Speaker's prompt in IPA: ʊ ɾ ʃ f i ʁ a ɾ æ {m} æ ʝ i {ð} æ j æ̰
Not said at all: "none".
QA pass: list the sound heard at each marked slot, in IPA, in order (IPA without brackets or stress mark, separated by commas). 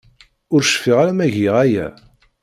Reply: m, ʁ